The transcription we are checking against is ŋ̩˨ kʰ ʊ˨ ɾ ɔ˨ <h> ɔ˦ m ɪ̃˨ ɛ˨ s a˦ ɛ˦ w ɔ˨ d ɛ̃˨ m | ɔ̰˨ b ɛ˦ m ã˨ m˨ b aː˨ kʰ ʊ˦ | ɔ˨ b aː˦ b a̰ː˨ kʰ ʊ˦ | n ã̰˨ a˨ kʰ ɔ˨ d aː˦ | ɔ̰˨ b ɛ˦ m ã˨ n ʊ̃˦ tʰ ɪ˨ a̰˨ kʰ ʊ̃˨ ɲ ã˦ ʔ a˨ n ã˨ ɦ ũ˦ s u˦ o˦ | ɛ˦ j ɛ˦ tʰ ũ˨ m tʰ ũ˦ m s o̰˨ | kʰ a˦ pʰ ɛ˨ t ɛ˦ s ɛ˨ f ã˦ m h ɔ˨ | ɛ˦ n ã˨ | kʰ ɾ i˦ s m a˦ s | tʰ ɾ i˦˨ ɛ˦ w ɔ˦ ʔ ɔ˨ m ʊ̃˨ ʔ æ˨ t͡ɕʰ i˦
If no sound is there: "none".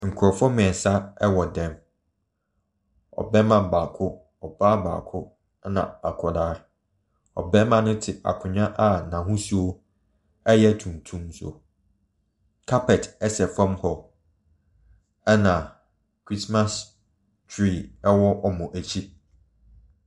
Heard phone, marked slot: f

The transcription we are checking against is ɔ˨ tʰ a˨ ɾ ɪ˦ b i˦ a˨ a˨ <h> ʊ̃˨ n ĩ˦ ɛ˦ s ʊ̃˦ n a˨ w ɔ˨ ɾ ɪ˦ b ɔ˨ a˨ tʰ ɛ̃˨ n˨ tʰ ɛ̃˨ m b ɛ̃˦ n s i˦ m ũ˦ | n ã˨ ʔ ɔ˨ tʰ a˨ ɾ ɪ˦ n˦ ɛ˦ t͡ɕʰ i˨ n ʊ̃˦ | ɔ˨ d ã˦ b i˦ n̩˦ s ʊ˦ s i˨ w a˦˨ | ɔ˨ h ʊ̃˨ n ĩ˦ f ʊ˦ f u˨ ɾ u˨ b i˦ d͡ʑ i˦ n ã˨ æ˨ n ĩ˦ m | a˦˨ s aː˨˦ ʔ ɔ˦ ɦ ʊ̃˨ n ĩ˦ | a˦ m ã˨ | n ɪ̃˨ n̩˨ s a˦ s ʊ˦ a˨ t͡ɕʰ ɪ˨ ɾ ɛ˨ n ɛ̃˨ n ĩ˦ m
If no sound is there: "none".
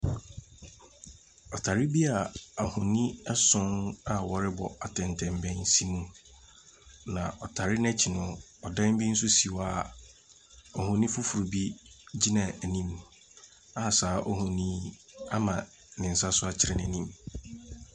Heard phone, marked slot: h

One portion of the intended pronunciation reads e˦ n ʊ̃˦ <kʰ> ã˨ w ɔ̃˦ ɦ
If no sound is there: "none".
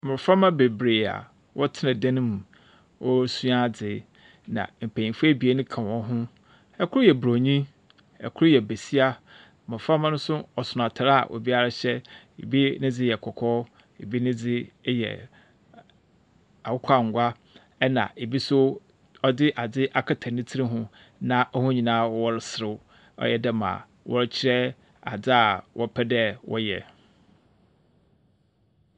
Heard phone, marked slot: kʰ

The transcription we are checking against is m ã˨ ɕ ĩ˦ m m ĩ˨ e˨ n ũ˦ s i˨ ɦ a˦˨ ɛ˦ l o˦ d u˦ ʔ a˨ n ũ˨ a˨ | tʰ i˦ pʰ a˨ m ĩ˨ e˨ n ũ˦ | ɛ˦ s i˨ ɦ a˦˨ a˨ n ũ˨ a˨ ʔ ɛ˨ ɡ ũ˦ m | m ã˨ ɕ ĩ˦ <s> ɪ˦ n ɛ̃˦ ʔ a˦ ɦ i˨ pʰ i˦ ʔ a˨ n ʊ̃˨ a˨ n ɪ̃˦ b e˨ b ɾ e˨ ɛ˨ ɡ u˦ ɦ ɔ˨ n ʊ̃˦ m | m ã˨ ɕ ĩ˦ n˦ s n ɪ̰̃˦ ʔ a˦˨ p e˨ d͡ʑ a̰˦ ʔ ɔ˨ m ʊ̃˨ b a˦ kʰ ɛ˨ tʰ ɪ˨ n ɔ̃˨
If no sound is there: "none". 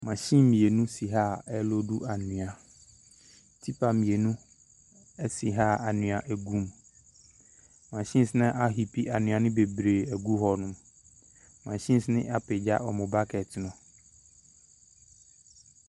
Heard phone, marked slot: s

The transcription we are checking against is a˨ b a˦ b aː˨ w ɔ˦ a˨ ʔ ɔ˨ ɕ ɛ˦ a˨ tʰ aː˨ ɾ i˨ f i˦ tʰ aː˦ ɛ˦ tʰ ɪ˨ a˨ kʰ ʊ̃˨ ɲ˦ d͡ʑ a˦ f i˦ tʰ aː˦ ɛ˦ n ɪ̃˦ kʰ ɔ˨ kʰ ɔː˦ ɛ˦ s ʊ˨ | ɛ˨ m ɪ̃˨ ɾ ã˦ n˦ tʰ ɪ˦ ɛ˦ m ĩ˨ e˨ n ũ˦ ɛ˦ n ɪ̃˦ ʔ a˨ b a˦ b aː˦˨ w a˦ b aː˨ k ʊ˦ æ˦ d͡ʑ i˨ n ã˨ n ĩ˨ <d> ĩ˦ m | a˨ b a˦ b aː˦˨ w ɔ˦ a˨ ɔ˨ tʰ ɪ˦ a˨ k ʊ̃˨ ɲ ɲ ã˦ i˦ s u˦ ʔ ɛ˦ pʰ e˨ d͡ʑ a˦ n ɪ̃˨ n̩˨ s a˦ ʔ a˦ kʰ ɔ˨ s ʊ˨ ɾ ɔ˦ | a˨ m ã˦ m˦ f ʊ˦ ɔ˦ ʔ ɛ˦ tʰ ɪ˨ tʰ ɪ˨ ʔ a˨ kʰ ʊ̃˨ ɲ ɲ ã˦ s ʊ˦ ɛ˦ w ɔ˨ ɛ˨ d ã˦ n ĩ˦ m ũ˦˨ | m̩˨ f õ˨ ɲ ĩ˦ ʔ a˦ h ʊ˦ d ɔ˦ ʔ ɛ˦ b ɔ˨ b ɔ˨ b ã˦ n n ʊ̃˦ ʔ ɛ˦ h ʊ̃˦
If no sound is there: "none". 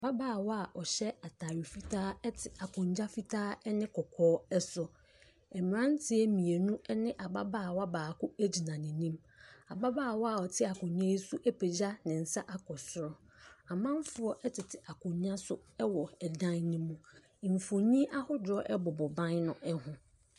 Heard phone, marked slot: n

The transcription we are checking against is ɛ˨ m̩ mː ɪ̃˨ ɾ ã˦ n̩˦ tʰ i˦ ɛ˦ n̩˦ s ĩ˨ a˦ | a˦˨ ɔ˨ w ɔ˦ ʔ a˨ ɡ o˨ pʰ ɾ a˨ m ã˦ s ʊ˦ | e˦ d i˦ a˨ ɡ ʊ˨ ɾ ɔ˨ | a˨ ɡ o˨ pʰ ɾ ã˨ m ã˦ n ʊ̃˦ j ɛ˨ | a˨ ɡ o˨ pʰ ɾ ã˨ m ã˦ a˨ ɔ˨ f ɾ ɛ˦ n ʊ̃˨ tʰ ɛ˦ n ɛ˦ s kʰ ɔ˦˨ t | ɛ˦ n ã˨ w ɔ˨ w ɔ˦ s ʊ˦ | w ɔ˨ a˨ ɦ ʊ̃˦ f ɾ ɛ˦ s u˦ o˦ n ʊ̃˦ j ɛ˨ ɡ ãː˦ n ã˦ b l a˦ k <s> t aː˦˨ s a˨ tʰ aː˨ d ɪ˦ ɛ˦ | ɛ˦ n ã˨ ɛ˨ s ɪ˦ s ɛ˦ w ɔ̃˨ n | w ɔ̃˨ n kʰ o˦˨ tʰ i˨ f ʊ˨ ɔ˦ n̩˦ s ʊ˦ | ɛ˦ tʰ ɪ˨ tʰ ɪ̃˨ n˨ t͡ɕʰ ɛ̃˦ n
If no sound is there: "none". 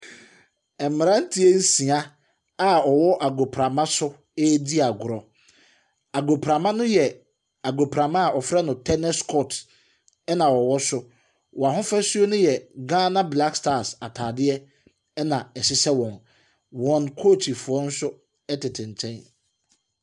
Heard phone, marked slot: s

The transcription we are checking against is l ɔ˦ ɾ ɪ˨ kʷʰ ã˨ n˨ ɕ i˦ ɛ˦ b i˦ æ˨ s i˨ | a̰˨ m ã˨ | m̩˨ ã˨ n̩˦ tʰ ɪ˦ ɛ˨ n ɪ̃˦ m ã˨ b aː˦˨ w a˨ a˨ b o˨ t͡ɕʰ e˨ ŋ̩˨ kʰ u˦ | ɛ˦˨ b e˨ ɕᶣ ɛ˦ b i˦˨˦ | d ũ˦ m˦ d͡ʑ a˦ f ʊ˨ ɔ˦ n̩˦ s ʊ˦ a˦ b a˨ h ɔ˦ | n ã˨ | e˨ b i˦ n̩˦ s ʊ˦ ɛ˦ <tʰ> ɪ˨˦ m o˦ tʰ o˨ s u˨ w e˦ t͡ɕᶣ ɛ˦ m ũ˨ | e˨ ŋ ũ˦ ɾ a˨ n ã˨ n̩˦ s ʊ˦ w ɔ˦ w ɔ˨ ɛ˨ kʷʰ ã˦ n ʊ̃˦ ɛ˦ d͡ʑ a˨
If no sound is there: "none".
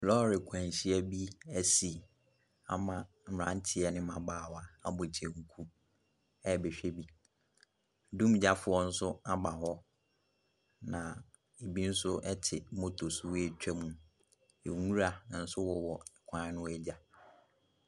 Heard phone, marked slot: tʰ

